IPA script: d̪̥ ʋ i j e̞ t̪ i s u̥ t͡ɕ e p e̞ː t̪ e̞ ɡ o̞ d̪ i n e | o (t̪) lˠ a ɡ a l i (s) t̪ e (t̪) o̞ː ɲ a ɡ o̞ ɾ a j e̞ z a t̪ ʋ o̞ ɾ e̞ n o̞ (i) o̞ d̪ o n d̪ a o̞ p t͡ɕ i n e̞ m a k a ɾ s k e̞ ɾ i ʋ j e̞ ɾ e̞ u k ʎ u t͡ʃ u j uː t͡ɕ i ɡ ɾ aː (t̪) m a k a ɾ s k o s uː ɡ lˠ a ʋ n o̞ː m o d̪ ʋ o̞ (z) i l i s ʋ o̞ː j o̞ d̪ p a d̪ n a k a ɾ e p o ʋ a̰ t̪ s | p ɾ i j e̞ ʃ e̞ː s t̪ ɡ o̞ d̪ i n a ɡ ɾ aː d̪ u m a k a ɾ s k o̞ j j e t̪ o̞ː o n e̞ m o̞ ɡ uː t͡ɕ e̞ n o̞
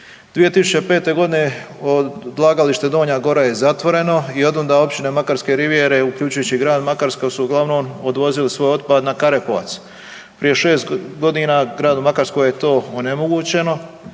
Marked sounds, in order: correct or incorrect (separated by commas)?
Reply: incorrect, incorrect, incorrect, correct, incorrect, correct